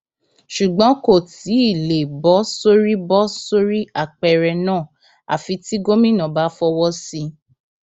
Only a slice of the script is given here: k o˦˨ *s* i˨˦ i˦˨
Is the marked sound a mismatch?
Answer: yes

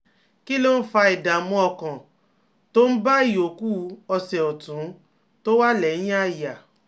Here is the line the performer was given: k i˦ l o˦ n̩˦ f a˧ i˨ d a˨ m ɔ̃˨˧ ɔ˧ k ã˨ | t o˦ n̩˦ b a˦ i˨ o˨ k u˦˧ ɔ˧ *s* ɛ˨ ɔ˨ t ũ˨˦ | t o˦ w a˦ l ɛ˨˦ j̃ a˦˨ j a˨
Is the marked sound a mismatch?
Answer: no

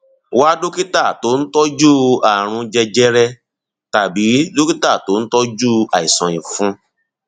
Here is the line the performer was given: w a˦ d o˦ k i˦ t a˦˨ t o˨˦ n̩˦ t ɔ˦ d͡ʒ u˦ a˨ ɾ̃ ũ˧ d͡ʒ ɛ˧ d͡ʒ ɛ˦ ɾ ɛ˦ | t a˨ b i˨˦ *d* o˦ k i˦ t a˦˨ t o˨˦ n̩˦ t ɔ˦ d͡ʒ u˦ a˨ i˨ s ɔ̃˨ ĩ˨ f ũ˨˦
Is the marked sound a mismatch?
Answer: no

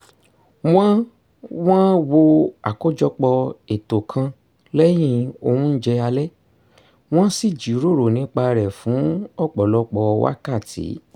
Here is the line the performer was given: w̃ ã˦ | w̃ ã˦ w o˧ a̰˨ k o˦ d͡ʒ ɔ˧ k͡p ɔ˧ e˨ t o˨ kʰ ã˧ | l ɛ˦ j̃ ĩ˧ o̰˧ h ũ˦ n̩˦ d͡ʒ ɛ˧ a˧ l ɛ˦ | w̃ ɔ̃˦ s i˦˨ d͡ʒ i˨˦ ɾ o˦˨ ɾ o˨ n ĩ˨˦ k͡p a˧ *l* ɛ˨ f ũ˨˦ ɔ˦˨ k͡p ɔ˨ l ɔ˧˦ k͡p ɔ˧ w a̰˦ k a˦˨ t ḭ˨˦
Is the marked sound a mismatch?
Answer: yes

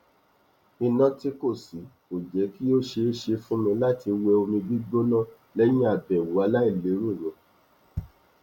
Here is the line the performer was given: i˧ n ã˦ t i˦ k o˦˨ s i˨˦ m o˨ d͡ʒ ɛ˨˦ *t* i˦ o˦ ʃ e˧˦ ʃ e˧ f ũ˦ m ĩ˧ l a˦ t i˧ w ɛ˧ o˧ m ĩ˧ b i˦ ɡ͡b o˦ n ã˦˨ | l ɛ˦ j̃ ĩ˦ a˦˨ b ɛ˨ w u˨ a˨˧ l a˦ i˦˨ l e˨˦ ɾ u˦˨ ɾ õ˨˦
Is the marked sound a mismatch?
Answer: yes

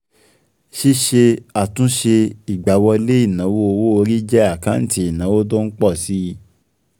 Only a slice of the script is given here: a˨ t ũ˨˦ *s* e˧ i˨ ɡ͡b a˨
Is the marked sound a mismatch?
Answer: yes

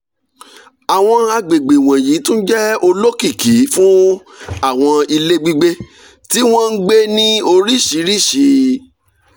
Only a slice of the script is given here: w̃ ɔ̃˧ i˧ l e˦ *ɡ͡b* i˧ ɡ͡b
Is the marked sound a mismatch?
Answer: no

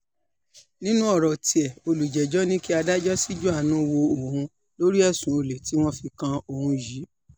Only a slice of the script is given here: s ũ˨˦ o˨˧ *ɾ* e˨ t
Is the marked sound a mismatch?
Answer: yes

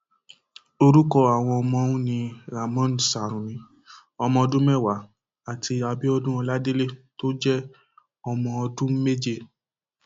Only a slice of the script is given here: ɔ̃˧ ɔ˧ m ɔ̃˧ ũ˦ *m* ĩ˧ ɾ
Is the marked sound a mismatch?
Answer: yes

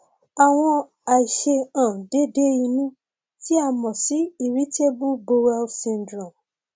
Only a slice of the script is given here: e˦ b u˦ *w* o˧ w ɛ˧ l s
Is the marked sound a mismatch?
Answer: yes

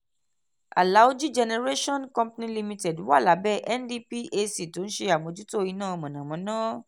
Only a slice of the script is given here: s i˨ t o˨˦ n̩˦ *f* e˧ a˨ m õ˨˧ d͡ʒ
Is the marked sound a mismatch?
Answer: yes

